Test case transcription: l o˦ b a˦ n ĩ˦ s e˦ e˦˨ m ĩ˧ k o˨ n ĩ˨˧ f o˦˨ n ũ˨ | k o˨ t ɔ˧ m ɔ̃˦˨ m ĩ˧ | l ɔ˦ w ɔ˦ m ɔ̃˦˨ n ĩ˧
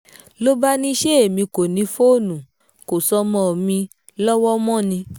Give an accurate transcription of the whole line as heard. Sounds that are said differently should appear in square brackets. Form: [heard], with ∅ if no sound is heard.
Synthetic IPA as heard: l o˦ b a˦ n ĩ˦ [ʃ] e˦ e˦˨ m ĩ˧ k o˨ n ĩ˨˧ f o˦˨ n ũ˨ | k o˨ [s] ɔ˧ m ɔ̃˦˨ m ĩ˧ | l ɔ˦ w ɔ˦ m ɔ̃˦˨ n ĩ˧